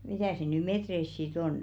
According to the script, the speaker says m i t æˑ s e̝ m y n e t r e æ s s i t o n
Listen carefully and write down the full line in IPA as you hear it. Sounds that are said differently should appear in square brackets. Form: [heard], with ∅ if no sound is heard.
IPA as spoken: m i t æˑ s e̝ [n] y [m] e t r e [i] s s i t o n